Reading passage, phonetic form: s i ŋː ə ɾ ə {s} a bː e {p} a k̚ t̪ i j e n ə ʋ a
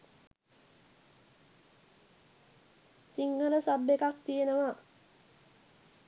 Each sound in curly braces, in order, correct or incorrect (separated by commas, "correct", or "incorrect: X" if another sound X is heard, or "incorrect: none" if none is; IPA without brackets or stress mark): correct, incorrect: k